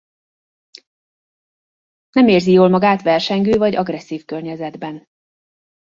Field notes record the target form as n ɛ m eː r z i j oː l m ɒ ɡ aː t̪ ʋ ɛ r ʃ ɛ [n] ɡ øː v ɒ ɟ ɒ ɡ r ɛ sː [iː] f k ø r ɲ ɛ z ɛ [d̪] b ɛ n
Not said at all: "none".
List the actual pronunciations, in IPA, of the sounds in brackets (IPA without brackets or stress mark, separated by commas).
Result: ŋ, iː, d̪